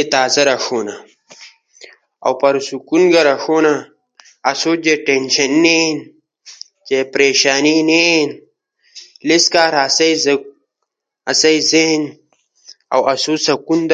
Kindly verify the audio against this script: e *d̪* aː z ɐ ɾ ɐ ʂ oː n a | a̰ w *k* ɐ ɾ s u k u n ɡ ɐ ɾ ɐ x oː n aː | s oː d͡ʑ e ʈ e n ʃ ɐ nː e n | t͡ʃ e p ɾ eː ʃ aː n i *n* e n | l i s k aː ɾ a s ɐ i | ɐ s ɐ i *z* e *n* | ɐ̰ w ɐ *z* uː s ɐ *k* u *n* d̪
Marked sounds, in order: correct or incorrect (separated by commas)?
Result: incorrect, incorrect, correct, correct, correct, incorrect, correct, correct